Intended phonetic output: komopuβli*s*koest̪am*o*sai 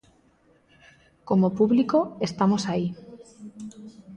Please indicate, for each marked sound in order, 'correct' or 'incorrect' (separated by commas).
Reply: incorrect, correct